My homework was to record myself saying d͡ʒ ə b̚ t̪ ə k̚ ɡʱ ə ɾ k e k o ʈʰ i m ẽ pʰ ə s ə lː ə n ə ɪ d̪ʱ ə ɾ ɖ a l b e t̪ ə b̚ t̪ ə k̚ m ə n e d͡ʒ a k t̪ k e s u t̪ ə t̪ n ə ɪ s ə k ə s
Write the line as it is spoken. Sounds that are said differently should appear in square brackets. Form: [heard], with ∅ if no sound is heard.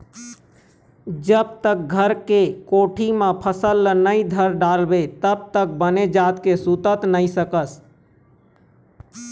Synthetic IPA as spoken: d͡ʒ ə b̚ t̪ ə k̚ ɡʱ ə ɾ k e k o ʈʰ i m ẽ pʰ ə s ə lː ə n ə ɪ d̪ʱ ə ɾ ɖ a l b e t̪ ə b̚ t̪ ə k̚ [b] ə n e d͡ʒ a [∅] t̪ k e s u t̪ ə t̪ n ə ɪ s ə k ə s